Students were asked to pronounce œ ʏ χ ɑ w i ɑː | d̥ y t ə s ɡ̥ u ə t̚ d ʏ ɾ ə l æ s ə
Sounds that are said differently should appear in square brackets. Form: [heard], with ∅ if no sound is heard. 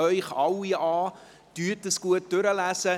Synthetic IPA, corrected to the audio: œ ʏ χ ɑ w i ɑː | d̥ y t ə s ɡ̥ u ə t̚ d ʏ ɾ ə l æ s ə